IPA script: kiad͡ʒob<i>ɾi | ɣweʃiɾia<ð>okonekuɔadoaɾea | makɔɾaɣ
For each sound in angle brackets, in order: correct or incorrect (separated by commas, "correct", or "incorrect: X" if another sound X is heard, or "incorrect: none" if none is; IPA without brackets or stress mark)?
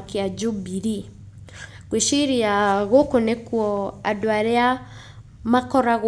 correct, incorrect: ɣ